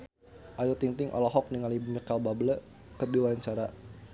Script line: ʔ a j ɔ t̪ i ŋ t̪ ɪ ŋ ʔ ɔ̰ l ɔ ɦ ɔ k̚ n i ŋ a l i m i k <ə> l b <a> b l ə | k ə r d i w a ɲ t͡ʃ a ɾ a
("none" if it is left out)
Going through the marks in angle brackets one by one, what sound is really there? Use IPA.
a, a

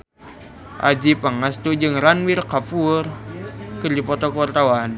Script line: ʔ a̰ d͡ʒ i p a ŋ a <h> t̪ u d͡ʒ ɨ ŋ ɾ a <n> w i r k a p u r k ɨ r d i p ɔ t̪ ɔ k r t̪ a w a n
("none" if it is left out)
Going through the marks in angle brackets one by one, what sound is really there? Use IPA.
s, n

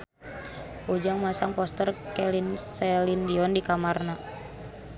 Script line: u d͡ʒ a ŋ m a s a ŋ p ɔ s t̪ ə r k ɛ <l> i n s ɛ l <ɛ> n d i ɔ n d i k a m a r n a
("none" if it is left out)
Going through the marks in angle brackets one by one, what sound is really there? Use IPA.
l, i

